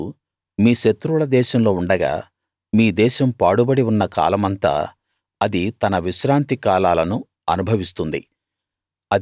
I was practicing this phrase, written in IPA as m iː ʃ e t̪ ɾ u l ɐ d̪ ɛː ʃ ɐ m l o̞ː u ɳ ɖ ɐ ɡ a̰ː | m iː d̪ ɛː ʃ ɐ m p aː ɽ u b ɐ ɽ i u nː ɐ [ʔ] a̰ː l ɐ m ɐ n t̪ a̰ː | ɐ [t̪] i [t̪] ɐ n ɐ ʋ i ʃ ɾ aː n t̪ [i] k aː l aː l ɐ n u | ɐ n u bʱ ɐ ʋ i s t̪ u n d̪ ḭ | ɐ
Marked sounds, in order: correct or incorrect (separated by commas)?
incorrect, incorrect, correct, correct